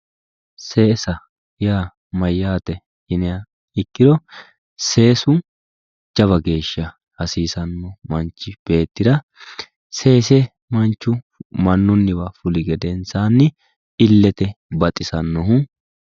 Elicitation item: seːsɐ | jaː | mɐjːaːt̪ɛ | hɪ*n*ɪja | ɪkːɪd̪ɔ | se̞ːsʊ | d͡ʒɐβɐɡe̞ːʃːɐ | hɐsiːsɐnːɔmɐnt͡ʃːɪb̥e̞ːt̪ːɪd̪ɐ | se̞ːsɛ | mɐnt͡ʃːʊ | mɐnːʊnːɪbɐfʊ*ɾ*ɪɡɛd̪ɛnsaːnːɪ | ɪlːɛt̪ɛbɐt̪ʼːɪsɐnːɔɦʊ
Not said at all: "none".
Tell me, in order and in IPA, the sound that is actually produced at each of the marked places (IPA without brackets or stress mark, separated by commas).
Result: n, l